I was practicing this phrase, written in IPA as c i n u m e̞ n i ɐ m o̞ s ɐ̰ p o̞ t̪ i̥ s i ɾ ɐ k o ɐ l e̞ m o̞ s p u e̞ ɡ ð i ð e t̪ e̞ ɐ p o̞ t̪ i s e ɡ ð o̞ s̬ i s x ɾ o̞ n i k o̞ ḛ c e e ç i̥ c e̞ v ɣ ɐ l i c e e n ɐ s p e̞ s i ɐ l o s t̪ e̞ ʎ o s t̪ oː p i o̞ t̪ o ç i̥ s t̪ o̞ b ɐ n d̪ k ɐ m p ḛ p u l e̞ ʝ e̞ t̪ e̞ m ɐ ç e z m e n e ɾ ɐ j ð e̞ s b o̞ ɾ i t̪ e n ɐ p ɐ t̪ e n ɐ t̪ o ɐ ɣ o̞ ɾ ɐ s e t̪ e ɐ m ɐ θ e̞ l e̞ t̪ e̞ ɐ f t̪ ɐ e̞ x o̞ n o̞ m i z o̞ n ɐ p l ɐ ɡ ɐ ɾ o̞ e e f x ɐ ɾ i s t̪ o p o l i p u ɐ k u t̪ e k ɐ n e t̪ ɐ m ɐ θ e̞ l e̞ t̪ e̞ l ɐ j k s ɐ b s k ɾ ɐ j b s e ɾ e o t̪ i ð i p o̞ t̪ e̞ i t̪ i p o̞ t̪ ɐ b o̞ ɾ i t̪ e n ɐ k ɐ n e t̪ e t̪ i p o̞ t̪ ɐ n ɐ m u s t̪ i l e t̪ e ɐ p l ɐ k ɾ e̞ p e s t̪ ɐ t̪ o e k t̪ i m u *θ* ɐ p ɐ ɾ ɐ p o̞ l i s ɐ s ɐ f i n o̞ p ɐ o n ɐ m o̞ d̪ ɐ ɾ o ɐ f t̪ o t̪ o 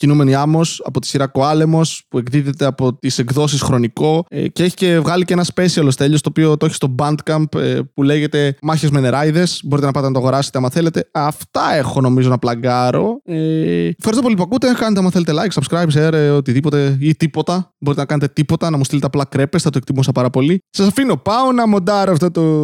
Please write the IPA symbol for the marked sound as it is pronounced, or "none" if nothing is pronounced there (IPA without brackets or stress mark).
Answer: s